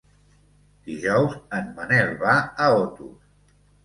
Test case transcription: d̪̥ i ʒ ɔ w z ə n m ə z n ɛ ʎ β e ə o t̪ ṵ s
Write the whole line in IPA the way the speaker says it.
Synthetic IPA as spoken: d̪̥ i ʒ ɔ w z ə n m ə n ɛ l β a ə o t̪ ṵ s